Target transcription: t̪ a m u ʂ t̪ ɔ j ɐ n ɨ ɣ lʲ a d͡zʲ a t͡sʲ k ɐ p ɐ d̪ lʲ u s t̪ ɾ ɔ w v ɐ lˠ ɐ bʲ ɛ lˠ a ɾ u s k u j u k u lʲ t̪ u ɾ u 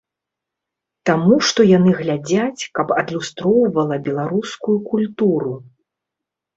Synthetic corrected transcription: t̪ a m u ʂ t̪ ɔ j a n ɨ ɣ lʲ a d͡zʲ a t͡sʲ k ɐ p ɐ d̪ lʲ u s t̪ ɾ ɔ w v ɐ lˠ ɐ bʲ ɛ lˠ a ɾ u s k u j u k u lʲ t̪ u ɾ u